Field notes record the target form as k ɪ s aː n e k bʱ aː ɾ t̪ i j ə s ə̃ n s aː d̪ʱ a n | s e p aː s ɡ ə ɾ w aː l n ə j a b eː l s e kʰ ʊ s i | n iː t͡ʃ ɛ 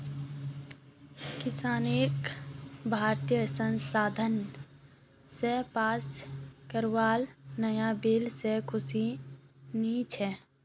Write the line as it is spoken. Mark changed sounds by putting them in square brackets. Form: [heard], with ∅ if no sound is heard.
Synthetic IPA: k ɪ s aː n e k bʱ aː ɾ t̪ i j ə s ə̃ n s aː d̪ʱ [ə] n | s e p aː s [k] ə ɾ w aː l n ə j a b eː l s e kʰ ʊ s i | n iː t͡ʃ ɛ